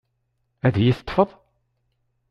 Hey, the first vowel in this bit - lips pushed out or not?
no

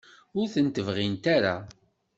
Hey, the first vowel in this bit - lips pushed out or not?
yes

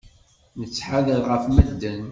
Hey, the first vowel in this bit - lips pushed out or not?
no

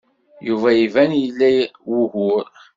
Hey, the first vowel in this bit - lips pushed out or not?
yes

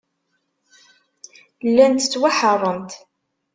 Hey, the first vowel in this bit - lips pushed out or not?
no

